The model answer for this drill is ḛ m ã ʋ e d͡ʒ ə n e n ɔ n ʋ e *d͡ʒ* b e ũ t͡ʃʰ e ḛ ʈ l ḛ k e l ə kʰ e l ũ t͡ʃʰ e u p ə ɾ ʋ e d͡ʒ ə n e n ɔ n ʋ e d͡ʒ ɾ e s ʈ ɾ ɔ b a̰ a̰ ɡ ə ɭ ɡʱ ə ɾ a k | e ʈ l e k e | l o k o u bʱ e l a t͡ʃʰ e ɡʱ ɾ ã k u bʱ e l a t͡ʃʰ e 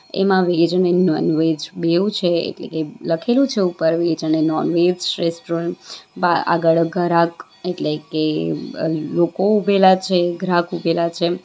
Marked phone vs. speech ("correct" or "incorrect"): correct